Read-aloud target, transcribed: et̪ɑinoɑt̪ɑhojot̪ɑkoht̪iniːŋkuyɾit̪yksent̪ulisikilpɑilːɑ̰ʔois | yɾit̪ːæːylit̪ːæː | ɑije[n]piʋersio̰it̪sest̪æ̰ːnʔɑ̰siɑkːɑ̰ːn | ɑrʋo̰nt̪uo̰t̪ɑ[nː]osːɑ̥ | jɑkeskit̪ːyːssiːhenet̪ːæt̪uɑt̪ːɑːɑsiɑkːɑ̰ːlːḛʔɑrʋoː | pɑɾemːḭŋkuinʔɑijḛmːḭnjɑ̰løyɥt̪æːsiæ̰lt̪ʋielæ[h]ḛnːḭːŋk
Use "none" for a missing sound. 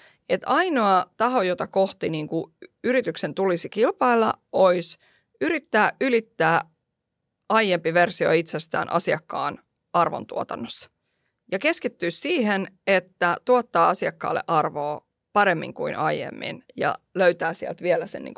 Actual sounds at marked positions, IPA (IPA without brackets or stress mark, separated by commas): m, nː, s